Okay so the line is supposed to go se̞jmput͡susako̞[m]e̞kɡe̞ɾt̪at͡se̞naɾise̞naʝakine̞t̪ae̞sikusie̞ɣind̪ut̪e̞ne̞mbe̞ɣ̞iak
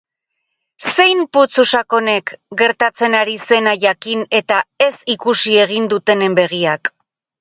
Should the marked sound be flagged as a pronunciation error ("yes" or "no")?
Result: yes